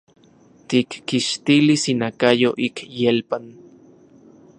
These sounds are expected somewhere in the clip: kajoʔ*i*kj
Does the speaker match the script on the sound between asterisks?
yes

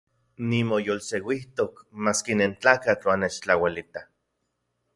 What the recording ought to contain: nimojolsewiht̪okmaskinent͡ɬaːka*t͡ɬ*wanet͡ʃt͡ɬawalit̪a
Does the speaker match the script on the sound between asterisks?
yes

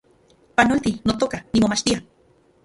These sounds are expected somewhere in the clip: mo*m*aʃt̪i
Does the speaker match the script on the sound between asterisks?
yes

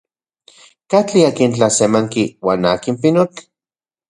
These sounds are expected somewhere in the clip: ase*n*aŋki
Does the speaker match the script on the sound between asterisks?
no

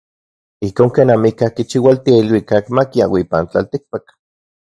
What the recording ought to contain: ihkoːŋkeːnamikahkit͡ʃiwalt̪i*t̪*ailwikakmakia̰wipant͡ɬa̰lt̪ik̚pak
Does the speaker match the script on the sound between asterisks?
no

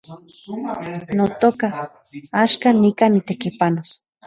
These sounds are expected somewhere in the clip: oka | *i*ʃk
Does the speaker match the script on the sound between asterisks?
no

